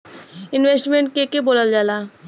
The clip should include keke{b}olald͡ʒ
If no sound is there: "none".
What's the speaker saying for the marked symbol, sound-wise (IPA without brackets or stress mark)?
b